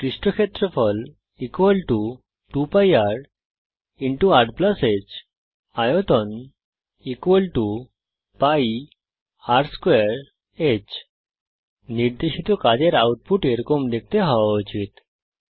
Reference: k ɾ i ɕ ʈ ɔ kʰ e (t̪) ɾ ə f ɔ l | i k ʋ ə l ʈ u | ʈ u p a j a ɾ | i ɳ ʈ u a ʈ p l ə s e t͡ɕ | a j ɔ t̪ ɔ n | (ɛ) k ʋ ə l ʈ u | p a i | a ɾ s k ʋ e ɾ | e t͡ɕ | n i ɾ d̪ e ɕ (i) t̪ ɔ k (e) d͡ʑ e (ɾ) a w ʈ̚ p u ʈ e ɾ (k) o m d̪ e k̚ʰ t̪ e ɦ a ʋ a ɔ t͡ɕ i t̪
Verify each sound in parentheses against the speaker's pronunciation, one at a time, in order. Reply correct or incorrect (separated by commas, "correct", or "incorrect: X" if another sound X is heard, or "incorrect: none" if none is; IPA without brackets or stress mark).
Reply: correct, incorrect: i, correct, incorrect: a, correct, correct